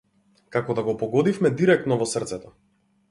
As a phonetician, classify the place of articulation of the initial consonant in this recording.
velar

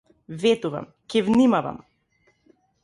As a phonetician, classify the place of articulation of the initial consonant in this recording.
labial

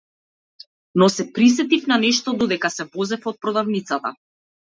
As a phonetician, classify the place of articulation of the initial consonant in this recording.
alveolar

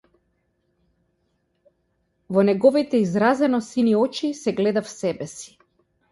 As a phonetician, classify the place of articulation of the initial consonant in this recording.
labial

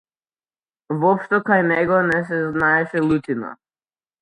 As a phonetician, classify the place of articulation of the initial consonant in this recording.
labial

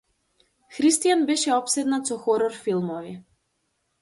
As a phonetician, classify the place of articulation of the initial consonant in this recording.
velar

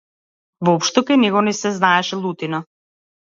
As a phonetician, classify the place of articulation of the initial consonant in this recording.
labial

